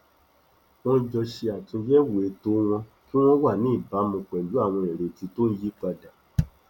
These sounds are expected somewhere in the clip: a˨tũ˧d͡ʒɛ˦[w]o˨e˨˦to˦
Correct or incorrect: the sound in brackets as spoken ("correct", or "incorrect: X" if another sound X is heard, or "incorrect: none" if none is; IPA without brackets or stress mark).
correct